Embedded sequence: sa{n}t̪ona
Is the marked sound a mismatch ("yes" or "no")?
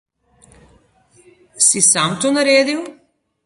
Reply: yes